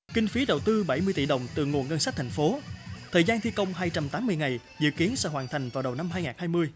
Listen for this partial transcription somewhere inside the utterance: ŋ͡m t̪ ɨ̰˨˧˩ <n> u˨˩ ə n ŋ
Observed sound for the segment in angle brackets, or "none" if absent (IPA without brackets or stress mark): ŋ